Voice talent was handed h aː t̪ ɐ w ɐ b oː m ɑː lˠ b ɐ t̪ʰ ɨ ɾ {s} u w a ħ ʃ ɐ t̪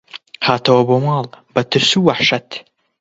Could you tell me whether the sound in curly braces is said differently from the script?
no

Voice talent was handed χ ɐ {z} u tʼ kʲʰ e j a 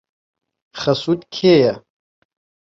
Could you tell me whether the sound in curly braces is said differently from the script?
yes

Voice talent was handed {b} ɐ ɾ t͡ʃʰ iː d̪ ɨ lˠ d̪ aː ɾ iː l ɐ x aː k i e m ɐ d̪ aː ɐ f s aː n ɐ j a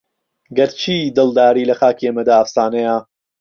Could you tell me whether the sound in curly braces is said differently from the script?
yes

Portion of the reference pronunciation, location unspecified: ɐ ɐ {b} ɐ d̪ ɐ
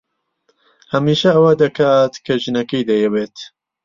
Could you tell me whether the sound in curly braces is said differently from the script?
yes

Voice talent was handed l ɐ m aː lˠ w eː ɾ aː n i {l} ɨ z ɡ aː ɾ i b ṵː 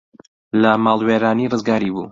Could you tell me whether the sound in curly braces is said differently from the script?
yes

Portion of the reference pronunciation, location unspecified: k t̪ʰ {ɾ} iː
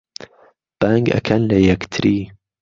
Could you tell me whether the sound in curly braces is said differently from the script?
no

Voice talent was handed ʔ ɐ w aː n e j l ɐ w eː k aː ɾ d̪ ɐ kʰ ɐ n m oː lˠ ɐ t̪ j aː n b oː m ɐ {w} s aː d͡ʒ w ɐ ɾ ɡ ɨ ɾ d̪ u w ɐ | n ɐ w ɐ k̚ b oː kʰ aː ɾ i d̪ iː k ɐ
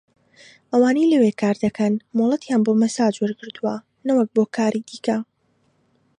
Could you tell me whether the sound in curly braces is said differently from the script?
yes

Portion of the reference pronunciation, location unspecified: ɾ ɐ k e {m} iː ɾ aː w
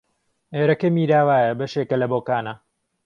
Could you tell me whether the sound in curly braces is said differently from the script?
no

